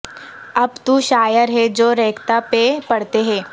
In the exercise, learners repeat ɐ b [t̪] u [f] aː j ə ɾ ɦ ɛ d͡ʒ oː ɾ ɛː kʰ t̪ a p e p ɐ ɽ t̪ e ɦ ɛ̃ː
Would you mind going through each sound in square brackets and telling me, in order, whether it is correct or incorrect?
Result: correct, incorrect

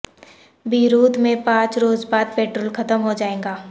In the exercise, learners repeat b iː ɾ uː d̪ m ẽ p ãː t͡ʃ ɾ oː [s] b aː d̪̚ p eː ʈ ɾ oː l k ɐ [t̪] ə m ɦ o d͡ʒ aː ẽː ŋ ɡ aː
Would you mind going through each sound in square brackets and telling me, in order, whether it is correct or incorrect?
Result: incorrect, correct

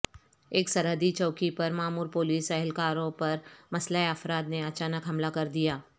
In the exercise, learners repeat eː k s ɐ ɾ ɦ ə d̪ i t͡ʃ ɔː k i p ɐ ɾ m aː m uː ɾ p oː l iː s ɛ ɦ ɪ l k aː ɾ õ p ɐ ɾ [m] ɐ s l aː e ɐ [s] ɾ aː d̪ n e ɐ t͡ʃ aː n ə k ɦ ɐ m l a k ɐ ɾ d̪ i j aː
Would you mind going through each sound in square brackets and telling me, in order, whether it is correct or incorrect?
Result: correct, incorrect

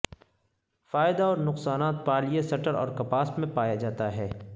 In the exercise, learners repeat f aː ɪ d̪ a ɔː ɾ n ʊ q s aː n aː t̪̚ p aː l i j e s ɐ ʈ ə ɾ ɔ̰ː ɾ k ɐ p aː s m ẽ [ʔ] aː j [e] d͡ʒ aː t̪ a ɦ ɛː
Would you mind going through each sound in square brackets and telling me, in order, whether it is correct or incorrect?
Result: incorrect, incorrect

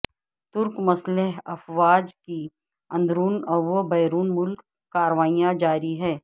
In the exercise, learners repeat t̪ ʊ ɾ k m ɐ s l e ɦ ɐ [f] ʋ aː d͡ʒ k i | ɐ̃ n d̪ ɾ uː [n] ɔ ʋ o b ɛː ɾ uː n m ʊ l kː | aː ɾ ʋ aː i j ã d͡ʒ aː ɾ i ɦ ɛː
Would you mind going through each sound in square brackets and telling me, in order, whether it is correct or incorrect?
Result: correct, correct

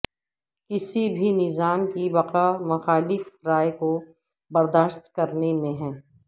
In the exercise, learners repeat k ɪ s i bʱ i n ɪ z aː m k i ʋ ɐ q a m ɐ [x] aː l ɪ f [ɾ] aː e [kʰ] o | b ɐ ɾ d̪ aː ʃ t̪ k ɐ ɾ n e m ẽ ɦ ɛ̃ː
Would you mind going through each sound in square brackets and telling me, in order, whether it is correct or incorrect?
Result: correct, correct, incorrect

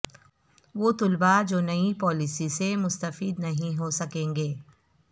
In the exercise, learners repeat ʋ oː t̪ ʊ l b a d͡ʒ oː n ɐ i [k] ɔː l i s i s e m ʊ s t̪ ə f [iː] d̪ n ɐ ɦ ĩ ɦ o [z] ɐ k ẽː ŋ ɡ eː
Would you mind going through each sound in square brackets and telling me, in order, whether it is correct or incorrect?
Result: incorrect, correct, incorrect

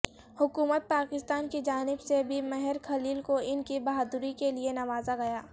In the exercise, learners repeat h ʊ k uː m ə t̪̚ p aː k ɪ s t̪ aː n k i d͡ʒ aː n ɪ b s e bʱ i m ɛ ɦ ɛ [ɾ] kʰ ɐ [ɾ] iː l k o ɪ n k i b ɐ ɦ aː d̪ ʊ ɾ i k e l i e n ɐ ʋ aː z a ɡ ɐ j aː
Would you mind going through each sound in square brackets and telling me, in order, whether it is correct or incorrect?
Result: correct, incorrect

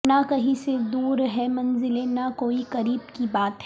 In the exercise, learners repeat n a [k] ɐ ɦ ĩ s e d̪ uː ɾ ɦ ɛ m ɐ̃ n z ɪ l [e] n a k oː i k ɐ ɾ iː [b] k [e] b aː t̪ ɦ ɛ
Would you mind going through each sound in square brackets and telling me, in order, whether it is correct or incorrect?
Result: correct, correct, correct, incorrect

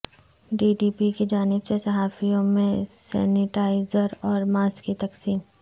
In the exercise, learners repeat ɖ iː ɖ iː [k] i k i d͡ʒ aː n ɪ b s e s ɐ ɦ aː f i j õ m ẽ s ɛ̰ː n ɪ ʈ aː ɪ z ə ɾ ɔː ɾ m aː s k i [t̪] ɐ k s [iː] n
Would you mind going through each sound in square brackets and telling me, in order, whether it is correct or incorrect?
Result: incorrect, correct, correct

